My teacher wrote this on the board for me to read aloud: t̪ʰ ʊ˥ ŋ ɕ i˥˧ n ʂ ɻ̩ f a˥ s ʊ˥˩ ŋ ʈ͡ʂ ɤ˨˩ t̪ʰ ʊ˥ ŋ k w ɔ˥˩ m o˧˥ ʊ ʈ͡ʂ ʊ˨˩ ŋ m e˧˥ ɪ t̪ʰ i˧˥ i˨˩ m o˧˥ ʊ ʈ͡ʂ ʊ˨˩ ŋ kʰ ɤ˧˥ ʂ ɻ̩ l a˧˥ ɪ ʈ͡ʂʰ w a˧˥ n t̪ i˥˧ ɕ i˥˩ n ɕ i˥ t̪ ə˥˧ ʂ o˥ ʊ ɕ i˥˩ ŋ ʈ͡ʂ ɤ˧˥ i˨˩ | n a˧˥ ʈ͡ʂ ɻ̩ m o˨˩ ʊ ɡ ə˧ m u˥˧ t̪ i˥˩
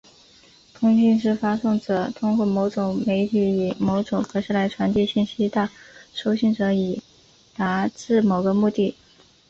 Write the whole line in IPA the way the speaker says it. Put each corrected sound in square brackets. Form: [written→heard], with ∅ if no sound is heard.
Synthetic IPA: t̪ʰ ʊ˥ ŋ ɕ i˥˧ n ʂ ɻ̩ f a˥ s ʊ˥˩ ŋ ʈ͡ʂ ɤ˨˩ t̪ʰ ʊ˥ ŋ k w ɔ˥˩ m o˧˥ ʊ ʈ͡ʂ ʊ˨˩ ŋ m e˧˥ ɪ t̪ʰ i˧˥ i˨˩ m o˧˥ ʊ ʈ͡ʂ ʊ˨˩ ŋ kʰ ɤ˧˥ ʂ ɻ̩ l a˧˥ ɪ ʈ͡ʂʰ w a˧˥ n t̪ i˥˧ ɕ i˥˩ n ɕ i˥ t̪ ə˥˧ ʂ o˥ ʊ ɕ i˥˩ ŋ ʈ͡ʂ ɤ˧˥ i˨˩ | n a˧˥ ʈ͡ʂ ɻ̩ m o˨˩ ʊ ɡ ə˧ m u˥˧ t̪ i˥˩